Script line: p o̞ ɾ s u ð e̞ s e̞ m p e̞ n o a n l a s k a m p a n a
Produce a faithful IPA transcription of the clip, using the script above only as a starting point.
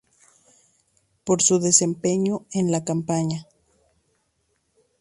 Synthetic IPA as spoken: p o̞ ɾ s u ð e̞ s e̞ m p e̞ ɲ o e n l a k a m p a ɲ a